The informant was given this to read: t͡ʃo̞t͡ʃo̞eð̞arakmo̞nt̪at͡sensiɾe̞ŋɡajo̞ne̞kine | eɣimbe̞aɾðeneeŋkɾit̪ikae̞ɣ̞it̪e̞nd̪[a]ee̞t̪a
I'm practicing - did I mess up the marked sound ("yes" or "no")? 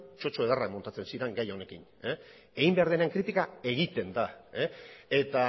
no